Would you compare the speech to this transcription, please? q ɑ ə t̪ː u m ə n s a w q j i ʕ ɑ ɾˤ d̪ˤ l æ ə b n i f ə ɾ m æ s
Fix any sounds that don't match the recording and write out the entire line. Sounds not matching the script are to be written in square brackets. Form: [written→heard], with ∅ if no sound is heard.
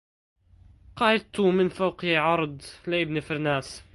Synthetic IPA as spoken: q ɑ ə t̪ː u m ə n [s→f] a w q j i ʕ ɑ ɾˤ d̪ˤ l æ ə b n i f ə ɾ [m→n] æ s